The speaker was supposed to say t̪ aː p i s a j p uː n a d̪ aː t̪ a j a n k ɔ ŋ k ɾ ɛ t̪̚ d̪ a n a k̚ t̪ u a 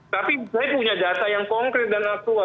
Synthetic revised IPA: t̪ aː p i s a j p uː ɲ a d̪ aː t̪ a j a ŋ k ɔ ŋ k ɾ ɛ t̪̚ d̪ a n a k̚ t̪ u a